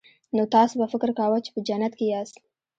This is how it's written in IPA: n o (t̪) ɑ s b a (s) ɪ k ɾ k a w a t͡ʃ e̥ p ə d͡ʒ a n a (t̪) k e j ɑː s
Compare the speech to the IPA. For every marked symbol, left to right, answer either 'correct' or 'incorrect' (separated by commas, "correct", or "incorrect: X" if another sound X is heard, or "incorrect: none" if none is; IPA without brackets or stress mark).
correct, incorrect: f, correct